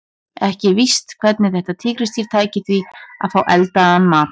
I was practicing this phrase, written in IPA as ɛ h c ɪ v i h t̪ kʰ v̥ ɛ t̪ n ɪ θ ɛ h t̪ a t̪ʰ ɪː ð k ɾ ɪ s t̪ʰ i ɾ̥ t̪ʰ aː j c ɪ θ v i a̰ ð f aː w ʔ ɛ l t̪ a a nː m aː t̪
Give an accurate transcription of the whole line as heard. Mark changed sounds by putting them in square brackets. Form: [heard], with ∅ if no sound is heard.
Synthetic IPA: ɛ h c ɪ v i [s] t̪ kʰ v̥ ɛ t̪ n ɪ θ ɛ h t̪ a t̪ʰ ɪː [∅] k ɾ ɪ s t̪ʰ i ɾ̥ t̪ʰ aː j c ɪ θ v i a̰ ð f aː w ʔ ɛ l t̪ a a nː m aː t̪